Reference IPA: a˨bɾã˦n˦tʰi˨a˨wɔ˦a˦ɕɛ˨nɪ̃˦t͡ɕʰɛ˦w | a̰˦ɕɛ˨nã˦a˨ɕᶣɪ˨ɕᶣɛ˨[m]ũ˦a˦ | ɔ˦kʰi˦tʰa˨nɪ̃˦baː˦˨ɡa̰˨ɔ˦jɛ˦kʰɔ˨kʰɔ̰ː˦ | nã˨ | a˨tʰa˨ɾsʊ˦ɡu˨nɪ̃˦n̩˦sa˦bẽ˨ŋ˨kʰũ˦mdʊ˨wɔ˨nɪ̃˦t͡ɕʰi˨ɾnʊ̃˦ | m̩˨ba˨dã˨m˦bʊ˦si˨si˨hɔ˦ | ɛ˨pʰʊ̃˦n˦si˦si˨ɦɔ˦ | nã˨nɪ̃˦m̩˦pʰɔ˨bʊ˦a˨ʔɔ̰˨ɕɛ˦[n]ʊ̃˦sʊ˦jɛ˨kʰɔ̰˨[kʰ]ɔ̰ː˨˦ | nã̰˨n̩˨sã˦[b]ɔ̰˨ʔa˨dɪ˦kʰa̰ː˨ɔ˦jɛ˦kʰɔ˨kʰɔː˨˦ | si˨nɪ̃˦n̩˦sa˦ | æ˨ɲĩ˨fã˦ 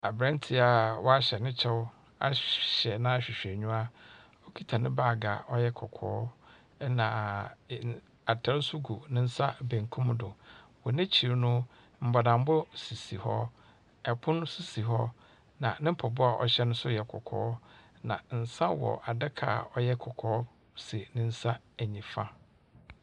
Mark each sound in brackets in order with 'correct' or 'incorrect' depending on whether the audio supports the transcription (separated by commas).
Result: incorrect, correct, correct, incorrect